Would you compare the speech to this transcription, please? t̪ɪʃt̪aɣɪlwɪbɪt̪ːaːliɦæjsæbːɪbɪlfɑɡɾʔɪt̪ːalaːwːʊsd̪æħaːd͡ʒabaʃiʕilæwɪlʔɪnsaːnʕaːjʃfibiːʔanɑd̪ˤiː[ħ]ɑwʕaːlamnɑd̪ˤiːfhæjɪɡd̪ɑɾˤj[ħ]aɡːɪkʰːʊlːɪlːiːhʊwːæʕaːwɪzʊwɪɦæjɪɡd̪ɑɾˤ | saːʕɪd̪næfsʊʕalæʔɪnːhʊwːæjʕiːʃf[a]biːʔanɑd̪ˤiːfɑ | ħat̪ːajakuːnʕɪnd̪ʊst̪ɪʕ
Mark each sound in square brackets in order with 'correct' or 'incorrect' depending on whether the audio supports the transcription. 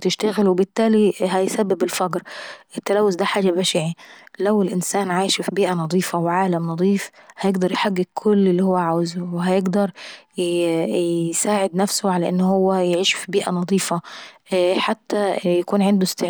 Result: incorrect: f, correct, incorrect: i

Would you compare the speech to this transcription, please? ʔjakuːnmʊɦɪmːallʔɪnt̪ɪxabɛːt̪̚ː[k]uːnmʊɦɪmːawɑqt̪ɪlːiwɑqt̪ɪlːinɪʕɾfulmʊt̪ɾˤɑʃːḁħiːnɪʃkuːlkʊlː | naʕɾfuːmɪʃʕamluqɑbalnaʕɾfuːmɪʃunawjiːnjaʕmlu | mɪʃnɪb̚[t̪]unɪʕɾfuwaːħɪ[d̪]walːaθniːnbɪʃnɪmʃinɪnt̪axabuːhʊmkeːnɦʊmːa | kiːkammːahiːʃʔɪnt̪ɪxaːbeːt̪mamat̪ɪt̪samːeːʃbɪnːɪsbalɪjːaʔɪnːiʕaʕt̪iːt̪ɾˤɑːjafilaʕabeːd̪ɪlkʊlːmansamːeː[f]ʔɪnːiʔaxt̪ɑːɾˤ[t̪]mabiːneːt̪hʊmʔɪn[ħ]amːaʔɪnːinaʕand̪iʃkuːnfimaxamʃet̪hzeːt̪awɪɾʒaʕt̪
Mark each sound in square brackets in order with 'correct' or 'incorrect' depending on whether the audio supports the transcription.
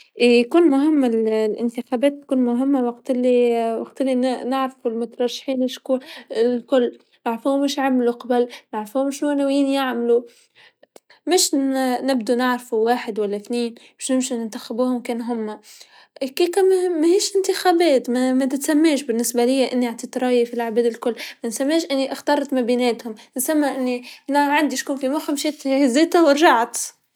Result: correct, incorrect: d̪, correct, incorrect: ʃ, correct, incorrect: s

